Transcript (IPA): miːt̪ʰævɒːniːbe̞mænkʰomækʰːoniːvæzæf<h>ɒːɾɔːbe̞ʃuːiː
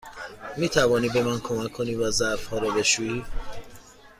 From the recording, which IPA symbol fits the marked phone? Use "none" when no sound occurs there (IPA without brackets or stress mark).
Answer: h